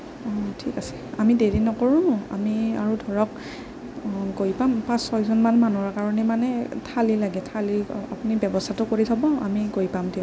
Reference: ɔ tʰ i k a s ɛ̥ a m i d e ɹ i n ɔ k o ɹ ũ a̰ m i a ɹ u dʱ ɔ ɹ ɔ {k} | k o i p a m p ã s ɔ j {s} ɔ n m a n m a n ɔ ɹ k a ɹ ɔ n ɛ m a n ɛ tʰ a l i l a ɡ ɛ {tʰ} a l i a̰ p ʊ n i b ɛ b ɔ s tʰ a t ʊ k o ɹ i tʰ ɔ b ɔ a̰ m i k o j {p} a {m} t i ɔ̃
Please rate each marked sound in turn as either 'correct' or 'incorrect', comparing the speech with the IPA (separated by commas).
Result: correct, incorrect, correct, correct, correct